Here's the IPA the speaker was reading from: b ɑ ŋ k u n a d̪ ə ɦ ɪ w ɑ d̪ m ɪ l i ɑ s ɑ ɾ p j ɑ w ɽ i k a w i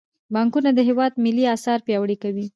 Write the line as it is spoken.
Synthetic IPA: b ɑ ŋ k u n a d̪ ə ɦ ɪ w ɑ d̪ m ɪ l i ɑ s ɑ ɾ p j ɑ w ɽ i k a w i